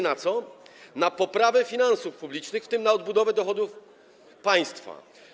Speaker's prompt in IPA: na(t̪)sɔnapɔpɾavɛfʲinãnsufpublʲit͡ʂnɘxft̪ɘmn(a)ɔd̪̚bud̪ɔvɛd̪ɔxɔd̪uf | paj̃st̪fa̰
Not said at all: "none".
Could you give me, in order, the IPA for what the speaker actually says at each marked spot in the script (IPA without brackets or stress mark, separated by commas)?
t̪, a